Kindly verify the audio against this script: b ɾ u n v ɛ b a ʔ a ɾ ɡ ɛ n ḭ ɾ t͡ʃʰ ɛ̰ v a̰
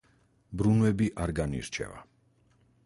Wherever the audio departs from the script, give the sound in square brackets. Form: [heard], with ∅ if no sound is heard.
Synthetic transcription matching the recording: b ɾ u n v ɛ b [i] ʔ a ɾ ɡ [a] n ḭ ɾ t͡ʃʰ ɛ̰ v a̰